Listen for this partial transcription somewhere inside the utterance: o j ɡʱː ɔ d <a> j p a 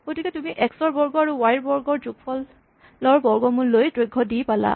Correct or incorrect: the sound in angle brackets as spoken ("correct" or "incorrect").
incorrect